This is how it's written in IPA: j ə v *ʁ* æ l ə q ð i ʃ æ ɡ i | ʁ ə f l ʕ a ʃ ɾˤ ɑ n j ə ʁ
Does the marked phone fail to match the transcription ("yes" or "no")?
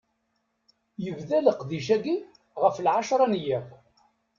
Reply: yes